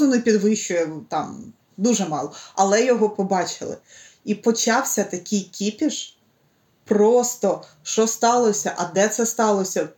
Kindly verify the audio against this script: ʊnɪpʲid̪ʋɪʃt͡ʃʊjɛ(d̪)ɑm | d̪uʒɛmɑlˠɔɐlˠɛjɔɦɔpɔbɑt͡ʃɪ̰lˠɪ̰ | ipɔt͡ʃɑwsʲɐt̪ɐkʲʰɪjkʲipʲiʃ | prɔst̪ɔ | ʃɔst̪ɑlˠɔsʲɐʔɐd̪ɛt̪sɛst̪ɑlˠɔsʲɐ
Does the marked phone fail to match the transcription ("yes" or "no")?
yes